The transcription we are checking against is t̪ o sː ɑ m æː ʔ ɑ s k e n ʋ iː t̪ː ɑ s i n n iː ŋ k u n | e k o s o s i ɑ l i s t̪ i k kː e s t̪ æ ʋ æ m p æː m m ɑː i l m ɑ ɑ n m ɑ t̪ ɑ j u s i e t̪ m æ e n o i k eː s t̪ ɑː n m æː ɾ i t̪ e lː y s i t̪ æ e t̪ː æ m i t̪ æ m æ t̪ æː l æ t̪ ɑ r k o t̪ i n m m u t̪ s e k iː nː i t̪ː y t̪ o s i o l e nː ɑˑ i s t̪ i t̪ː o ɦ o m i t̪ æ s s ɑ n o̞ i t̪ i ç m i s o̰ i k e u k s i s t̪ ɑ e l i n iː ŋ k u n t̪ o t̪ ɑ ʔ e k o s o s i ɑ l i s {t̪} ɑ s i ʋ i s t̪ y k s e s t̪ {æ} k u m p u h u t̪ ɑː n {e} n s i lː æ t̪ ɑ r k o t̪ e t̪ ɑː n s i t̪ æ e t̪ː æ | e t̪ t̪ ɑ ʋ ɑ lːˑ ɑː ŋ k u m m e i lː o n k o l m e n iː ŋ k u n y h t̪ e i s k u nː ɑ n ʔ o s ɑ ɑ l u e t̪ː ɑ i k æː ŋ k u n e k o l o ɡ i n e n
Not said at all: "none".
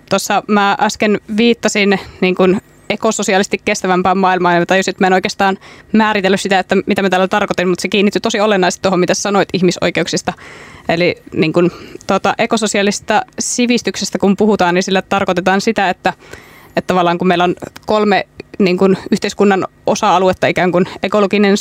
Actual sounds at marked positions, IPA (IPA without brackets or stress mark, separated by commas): t̪, æ, i